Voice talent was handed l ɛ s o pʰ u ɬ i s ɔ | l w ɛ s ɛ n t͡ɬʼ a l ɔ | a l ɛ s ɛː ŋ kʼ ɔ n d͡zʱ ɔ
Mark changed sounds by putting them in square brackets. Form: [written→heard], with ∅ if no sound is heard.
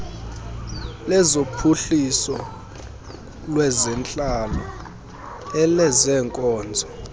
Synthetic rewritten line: l ɛ [s→z] o pʰ u ɬ i s ɔ | l w ɛ [s→z] ɛ n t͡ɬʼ a l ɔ | [a→ɛ] l ɛ [s→z] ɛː ŋ kʼ [ɔ→ɔː] n d͡zʱ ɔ